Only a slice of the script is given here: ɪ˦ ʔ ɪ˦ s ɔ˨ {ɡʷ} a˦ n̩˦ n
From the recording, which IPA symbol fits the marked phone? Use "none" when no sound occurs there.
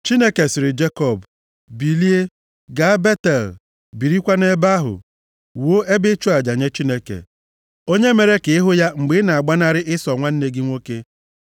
ŋʷ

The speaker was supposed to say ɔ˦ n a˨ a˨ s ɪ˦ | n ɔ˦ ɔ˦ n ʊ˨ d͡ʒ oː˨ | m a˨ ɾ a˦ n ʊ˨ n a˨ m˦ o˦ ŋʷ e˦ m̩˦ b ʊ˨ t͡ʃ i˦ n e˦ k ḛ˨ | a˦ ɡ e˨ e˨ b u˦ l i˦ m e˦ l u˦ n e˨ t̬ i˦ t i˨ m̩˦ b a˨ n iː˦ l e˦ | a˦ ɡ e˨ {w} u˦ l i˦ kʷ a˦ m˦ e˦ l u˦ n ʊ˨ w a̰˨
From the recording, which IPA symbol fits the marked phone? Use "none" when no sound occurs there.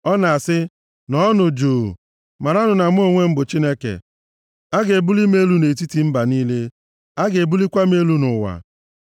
b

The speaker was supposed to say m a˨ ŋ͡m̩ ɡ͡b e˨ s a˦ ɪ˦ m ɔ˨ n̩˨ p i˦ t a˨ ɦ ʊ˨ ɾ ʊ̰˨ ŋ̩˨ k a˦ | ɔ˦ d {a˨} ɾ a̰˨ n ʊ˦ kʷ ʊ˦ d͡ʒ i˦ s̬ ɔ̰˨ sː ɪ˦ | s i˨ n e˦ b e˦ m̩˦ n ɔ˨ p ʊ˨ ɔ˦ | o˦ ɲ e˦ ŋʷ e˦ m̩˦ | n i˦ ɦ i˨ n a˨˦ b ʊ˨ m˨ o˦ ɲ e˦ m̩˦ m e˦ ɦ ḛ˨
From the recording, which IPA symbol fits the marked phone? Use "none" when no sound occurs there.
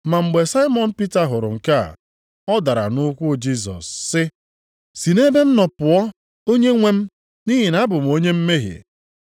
a˨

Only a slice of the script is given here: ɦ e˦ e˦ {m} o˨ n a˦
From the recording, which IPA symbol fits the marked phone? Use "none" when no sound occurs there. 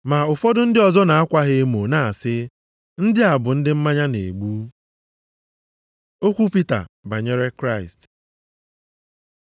m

